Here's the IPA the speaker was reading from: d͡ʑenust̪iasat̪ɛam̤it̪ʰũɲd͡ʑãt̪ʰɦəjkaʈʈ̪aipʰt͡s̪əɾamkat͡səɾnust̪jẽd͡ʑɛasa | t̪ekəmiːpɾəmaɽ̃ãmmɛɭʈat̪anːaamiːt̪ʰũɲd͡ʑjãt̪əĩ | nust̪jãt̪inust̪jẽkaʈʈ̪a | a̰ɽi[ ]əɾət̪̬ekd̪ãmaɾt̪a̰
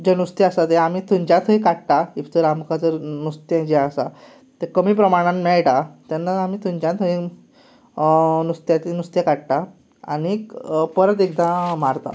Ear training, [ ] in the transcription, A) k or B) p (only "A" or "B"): B